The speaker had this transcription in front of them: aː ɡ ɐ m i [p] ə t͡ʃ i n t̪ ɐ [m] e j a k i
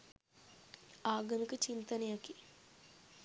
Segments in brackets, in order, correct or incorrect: incorrect, incorrect

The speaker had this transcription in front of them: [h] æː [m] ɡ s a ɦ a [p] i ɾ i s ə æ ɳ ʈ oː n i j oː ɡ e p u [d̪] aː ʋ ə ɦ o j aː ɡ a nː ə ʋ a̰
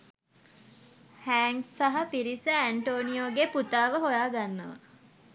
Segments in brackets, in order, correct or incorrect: correct, incorrect, correct, incorrect

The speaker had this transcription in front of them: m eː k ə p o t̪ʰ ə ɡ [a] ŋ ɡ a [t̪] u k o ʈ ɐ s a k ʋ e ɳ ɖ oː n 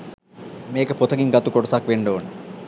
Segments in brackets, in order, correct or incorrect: incorrect, correct

